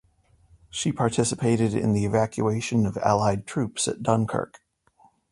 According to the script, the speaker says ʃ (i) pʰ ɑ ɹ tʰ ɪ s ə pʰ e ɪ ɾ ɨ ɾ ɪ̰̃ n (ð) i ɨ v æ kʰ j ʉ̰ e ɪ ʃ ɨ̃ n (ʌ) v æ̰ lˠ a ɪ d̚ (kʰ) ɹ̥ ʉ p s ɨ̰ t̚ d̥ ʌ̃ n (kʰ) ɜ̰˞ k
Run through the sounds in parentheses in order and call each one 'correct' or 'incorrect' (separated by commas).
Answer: correct, correct, correct, incorrect, correct